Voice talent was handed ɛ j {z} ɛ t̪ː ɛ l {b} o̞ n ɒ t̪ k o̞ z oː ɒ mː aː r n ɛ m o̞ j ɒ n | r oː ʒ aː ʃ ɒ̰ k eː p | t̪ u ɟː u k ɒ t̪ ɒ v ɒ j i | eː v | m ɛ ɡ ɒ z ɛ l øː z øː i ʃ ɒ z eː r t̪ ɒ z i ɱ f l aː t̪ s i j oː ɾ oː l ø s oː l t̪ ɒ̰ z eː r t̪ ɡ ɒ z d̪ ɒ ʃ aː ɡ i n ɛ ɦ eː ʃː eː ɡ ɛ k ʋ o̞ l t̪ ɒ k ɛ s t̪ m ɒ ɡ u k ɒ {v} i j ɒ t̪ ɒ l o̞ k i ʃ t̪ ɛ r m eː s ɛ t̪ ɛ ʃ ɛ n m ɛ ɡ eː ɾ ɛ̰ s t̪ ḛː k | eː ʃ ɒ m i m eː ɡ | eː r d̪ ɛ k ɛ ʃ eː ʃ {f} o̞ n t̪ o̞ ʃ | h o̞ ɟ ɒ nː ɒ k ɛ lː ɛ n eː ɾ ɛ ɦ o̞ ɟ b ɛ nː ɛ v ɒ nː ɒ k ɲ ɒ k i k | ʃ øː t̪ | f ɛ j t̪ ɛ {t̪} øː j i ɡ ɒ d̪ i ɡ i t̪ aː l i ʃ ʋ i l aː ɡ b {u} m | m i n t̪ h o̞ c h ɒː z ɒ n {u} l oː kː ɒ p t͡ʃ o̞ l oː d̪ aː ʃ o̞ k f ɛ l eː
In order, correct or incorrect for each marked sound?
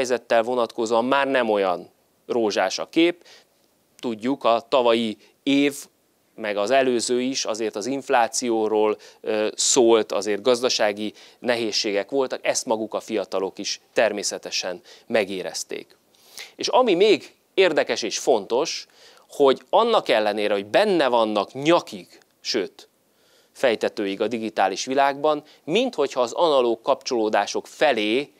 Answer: correct, incorrect, incorrect, correct, correct, incorrect, incorrect

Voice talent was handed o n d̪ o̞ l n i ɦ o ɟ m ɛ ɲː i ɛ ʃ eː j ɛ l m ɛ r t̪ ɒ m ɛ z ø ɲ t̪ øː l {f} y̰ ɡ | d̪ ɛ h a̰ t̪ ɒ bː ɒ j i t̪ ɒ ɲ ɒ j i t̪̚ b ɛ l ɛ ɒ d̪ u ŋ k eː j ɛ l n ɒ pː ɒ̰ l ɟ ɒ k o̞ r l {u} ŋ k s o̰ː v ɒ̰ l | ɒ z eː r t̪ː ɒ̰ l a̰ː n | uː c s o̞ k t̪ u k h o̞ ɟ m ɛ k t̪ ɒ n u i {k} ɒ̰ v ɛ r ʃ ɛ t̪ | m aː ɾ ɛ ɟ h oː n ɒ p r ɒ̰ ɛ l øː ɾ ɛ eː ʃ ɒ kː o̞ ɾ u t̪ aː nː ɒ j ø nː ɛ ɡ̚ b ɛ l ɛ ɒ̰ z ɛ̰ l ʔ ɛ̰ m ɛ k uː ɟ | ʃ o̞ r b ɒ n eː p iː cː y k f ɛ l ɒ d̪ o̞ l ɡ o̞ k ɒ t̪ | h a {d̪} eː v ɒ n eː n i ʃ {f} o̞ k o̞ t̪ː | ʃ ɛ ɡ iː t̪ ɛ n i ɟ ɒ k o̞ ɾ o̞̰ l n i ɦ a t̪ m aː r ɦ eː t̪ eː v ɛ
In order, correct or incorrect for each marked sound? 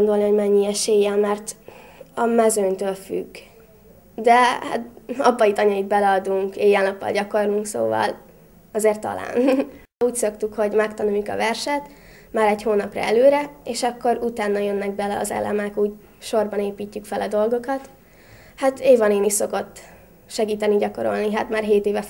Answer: correct, correct, correct, incorrect, incorrect

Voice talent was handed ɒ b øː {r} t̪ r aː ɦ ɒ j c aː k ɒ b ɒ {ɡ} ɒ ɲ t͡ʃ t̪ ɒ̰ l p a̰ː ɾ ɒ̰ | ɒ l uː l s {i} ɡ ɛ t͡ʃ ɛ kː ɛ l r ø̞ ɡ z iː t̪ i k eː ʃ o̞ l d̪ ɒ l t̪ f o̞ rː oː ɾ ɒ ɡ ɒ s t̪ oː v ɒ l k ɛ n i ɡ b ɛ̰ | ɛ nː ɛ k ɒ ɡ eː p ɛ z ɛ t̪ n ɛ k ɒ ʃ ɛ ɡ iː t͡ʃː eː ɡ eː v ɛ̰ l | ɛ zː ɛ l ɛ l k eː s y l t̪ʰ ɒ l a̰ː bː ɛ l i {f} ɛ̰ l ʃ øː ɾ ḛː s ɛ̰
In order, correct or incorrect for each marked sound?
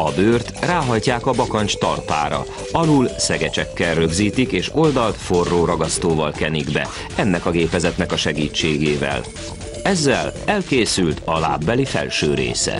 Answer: correct, incorrect, incorrect, correct

